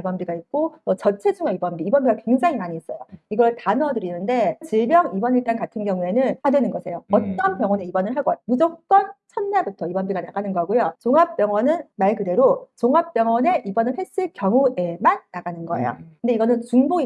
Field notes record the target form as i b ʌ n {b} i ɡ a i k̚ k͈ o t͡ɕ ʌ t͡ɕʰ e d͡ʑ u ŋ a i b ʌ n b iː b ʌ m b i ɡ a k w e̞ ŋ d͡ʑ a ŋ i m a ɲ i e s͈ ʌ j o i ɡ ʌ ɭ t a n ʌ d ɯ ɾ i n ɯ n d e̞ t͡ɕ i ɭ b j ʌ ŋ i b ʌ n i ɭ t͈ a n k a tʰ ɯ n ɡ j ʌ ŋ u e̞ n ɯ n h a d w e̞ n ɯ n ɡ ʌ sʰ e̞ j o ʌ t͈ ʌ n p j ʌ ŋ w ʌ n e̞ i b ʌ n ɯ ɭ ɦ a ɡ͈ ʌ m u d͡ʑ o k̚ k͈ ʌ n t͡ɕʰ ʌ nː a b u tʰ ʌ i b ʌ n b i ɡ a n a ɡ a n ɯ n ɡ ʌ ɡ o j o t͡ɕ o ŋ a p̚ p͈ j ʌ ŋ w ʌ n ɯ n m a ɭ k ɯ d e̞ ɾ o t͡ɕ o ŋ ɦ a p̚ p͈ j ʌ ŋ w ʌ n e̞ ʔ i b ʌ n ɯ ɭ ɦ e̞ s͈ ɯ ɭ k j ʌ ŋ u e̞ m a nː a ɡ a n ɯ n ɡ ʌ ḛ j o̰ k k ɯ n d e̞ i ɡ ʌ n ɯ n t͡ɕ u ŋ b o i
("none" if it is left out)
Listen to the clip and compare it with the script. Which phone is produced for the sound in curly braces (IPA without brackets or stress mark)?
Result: b